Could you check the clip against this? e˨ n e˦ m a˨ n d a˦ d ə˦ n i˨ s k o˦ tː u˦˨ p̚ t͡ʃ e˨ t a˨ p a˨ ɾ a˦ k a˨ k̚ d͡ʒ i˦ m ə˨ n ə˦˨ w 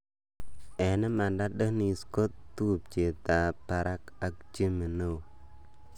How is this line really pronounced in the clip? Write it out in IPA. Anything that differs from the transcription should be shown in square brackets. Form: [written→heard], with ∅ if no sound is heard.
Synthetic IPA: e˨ n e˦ m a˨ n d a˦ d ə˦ n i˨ s k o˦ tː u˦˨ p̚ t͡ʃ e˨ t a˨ p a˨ ɾ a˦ k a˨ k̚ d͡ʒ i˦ m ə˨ n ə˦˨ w